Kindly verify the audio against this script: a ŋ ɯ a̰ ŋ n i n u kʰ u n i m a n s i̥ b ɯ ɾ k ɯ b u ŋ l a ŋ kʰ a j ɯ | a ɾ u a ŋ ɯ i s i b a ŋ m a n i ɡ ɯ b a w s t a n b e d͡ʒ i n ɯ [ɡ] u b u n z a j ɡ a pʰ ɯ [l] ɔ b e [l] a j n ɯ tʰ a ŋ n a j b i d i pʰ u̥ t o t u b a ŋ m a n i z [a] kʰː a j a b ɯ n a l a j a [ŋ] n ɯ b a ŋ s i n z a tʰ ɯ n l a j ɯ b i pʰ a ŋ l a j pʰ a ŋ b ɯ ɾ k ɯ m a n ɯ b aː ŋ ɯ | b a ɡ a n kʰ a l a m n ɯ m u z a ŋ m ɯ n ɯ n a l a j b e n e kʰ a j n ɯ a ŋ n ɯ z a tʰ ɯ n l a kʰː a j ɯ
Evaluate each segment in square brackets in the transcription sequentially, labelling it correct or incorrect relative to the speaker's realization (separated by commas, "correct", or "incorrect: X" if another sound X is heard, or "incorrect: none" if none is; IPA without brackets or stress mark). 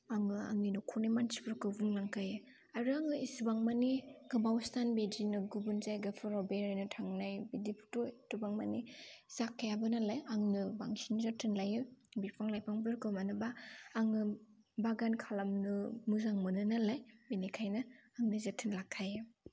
correct, incorrect: ɾ, incorrect: ɾ, correct, correct